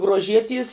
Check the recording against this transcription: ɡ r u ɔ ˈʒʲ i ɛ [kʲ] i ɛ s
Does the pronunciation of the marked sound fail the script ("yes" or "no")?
yes